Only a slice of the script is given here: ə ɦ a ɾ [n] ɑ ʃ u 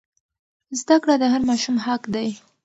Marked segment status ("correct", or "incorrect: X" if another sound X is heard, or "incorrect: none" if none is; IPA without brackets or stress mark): incorrect: m